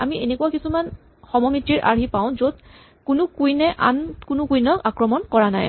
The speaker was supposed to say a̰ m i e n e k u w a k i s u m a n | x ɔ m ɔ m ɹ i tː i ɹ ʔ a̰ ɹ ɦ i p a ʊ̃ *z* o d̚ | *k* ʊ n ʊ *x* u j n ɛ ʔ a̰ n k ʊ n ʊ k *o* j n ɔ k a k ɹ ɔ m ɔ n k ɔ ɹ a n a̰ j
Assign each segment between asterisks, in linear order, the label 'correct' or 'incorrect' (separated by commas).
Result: correct, correct, incorrect, incorrect